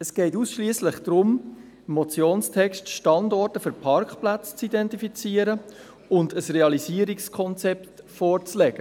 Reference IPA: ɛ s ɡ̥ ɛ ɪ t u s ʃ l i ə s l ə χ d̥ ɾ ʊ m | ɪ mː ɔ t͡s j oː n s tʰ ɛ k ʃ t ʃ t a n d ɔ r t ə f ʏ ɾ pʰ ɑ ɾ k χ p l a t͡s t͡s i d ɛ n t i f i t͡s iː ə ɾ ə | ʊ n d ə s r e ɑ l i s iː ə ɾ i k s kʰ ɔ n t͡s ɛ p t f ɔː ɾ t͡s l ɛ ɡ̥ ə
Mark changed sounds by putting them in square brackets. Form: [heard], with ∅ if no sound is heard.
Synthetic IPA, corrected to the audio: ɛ s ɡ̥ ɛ ɪ t u s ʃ l i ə s l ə χ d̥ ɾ ʊ m | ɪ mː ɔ t͡s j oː n s tʰ ɛ k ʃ t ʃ t [ɑ] n d ɔ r t ə f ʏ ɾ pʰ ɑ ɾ k χ p l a t͡s t͡s i d ɛ n t i f i t͡s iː ə ɾ ə | ʊ n d ə s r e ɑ l i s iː ə ɾ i k s kʰ ɔ n t͡s ɛ p t f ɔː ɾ t͡s l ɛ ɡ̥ ə